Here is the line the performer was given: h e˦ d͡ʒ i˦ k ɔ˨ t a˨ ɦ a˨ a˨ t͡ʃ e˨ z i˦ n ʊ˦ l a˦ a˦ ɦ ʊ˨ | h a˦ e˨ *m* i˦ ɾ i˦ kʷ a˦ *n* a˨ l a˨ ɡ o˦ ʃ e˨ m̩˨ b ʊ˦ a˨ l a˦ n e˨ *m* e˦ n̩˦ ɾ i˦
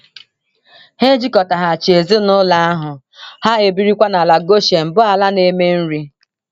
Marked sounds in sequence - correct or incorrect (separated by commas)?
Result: incorrect, correct, correct